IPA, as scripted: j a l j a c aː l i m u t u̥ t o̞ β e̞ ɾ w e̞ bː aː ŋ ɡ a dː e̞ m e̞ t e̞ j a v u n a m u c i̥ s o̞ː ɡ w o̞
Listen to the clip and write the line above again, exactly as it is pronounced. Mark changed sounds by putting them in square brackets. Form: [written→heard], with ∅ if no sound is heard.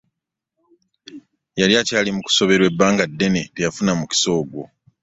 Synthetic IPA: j a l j a c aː l i m u [t→k] u̥ [t→s] o̞ β e̞ ɾ w e̞ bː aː ŋ ɡ a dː e̞ [m→n] e̞ t e̞ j a [v→f] u n a m u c i̥ s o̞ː ɡ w o̞